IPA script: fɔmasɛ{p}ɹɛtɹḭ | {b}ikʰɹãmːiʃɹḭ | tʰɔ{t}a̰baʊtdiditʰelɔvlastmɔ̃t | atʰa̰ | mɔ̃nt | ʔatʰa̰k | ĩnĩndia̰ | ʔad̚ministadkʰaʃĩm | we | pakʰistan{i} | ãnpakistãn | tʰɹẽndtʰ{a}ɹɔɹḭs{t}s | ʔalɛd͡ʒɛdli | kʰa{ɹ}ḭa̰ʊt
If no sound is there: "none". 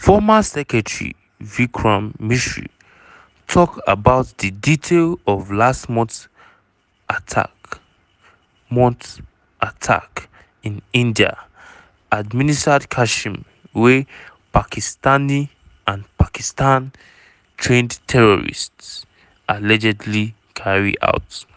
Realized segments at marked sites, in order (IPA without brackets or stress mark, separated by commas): k, v, k, i, ɛ, t, ɹ